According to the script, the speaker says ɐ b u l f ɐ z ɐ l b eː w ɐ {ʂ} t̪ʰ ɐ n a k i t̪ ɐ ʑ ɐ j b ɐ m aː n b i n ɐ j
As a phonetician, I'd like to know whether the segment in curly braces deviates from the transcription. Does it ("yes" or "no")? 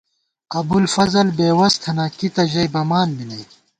yes